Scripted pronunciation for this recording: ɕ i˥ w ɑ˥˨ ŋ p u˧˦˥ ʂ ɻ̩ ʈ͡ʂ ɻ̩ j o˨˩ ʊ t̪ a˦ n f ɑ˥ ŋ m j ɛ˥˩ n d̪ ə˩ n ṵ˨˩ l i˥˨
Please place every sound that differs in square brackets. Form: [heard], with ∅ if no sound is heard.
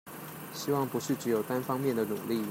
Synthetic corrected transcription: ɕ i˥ w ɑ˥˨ ŋ p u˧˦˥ ʂ ɻ̩ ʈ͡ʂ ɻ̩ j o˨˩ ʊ t̪ a˦ n f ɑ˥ ŋ m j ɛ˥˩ n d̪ ə˩ n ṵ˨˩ l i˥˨